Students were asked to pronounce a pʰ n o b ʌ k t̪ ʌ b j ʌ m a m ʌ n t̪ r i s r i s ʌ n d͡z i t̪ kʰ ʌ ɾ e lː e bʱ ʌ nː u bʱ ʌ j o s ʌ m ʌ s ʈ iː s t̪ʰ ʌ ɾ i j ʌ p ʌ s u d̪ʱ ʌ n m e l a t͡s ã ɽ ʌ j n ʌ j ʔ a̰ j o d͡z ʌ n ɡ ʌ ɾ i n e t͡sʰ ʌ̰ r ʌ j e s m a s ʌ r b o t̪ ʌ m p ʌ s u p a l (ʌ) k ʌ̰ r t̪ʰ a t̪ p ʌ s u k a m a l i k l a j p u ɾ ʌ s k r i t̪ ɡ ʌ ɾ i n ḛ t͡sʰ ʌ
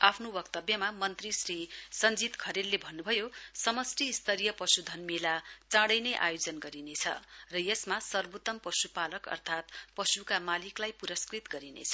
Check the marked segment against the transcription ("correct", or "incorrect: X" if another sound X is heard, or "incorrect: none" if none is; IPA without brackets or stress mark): correct